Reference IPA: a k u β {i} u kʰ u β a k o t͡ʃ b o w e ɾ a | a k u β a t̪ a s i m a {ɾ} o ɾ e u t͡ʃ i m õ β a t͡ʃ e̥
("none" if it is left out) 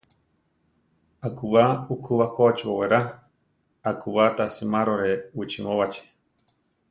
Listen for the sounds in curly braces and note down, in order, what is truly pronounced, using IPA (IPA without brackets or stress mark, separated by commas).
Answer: a, ɾ